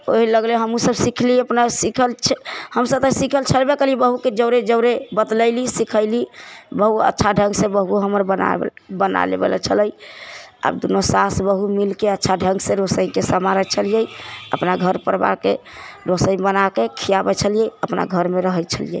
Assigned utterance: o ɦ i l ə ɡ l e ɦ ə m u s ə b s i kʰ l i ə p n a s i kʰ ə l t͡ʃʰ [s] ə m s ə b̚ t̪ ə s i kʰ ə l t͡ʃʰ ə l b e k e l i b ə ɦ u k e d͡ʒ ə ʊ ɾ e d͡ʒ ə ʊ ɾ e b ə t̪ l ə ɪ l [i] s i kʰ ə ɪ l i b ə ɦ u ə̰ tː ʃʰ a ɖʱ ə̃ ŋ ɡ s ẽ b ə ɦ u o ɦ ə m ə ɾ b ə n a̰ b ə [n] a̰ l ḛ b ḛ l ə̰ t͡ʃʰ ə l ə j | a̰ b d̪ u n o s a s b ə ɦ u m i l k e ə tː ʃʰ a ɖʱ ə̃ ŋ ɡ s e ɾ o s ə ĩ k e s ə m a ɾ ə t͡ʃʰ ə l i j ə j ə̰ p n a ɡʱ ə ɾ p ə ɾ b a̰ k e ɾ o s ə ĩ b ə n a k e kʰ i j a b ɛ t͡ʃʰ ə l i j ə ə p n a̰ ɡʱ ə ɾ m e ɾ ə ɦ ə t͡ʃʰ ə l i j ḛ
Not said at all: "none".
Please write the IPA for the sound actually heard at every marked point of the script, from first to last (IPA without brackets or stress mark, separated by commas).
h, i, n